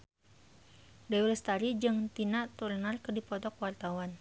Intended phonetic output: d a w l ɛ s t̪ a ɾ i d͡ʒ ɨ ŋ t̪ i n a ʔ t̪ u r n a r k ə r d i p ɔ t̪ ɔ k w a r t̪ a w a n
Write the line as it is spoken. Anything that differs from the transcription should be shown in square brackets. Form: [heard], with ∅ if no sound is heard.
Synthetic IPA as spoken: d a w l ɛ s t̪ a ɾ i d͡ʒ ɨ ŋ t̪ i n a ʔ t̪ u r n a r k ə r d i p ɔ t̪ ɔ k w a r t̪ a w a n